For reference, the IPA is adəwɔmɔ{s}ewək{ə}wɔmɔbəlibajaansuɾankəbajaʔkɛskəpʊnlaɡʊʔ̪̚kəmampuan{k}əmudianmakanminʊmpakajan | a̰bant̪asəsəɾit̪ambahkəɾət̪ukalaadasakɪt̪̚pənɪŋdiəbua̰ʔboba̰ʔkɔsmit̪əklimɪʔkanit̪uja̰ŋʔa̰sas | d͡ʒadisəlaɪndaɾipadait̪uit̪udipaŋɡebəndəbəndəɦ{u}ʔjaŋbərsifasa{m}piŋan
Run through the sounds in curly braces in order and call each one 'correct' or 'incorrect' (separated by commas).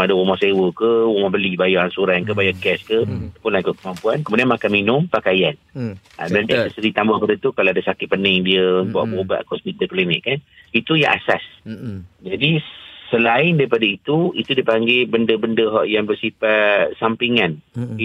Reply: correct, correct, correct, incorrect, correct